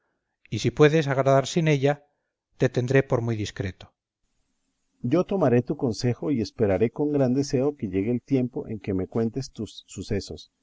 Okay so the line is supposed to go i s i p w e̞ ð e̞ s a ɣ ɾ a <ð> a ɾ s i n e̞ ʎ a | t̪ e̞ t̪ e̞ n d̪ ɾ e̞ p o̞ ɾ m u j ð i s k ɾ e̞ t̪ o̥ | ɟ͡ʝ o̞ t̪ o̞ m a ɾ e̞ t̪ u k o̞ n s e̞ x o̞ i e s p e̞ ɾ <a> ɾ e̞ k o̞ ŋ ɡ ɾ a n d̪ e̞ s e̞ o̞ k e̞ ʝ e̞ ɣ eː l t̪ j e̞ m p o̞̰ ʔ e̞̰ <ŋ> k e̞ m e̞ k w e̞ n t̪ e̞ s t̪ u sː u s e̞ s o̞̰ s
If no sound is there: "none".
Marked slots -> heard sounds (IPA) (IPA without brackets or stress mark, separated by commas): ð, a, ŋ